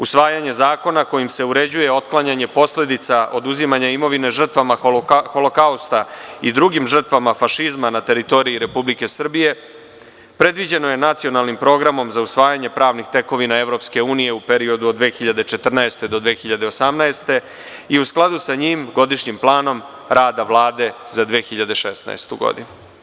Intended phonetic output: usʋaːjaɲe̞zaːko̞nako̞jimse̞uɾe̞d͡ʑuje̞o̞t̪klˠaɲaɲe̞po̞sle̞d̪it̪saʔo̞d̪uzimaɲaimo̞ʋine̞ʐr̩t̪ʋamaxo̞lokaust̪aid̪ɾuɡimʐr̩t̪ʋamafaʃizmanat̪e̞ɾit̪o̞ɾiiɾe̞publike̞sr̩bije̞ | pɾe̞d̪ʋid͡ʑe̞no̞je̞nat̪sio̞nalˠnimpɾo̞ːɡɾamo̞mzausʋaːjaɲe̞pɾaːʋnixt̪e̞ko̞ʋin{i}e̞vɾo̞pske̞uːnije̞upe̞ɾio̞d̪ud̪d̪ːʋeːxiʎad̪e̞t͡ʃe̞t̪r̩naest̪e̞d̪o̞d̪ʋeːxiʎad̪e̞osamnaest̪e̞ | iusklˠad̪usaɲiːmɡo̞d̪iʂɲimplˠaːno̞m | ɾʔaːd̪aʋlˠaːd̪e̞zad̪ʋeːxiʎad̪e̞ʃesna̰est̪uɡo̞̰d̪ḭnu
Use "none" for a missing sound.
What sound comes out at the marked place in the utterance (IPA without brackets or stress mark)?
a